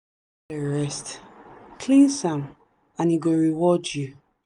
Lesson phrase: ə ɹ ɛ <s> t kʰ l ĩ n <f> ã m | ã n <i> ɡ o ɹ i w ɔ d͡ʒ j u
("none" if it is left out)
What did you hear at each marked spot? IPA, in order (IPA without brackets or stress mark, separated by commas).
s, s, i